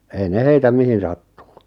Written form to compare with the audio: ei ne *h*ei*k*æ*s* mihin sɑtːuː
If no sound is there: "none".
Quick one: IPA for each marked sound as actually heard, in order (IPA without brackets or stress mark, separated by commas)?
h, t, none